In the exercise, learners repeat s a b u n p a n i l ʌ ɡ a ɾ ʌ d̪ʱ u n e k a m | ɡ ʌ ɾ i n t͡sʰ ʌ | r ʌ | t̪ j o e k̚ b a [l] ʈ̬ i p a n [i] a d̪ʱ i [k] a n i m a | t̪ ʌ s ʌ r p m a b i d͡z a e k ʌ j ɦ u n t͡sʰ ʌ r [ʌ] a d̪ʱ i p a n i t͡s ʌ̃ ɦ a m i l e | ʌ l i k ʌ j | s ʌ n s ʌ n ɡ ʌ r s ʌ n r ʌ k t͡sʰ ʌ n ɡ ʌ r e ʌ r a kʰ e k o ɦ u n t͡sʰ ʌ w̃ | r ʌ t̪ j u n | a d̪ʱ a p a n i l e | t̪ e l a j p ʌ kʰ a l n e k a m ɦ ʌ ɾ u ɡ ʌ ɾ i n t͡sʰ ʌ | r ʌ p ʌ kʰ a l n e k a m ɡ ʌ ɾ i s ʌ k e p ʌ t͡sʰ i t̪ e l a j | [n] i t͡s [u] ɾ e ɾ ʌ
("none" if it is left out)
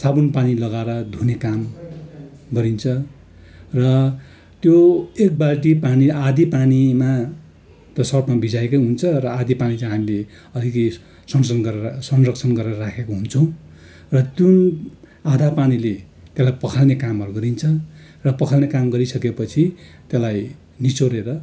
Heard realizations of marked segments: l, i, p, ʌ, n, o

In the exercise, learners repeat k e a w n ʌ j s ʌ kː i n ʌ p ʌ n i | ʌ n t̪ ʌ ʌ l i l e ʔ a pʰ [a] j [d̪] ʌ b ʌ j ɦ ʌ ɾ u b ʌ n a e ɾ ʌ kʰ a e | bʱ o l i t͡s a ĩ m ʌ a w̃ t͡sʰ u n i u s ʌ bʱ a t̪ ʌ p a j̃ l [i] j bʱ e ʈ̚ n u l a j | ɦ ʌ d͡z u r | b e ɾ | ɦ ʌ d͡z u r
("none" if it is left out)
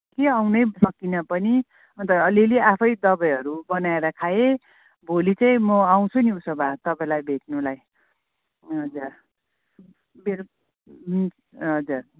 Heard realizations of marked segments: ʌ, d̪, a

